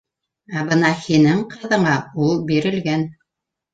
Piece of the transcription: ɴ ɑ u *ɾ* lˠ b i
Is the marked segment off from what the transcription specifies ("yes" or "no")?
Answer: yes